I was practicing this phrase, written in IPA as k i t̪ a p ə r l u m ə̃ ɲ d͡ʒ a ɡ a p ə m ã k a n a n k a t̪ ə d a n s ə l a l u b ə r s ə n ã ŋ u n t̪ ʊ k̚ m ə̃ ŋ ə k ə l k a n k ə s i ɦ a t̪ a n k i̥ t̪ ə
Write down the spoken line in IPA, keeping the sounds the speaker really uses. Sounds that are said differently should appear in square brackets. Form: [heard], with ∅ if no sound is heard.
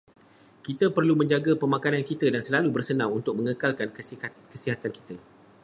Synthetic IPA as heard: k i t̪ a p ə r l u m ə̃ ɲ d͡ʒ a ɡ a p ə m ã k a n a n k [i] t̪ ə d a n s ə l a l u b ə r s ə n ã ŋ u n t̪ ʊ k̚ m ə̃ ŋ ə k [a] l k a n k ə s i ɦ a t̪ a n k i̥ t̪ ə